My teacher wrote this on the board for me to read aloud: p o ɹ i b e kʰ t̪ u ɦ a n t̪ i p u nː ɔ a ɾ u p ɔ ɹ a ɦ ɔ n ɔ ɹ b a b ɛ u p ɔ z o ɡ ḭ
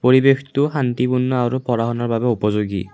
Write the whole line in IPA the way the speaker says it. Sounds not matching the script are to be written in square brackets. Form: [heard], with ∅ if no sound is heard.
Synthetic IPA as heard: p o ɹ i b e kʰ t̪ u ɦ a n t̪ i p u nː ɔ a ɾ u p ɔ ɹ a ɦ ɔ n ɔ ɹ b a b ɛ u p ɔ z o ɡ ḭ